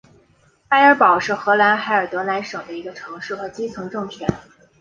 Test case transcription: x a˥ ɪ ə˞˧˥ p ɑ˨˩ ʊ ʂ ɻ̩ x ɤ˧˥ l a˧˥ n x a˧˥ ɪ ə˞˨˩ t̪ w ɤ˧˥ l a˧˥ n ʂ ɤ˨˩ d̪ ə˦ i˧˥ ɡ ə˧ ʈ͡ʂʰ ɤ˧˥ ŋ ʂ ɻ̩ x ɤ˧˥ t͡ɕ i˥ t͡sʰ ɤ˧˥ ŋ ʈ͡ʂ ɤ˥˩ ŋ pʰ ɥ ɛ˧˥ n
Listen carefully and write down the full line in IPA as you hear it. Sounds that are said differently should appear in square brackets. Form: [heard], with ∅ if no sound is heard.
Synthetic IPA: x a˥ ɪ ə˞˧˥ p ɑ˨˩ ʊ ʂ ɻ̩ x ɤ˧˥ l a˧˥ n x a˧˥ ɪ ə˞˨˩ t̪ w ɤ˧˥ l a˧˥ n ʂ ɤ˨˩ d̪ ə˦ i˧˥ ɡ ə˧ ʈ͡ʂʰ ɤ˧˥ ŋ ʂ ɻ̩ x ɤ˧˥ t͡ɕ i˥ t͡sʰ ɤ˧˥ ŋ ʈ͡ʂ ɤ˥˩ ŋ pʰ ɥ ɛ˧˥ n